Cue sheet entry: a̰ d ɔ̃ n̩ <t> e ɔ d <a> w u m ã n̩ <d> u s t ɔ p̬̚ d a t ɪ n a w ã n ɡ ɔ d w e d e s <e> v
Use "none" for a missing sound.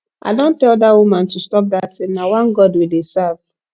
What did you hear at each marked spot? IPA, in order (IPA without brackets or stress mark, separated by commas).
t, a, t, a